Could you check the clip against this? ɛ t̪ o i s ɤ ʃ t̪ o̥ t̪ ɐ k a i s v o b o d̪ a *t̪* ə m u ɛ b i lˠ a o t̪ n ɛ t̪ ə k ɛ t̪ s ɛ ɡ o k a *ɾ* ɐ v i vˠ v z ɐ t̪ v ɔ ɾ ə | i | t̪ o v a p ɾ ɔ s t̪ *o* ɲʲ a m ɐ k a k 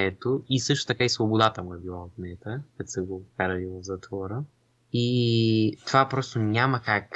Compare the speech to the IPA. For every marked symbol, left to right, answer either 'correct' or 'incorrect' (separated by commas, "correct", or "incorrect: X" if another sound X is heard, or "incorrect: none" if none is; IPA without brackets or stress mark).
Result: correct, correct, correct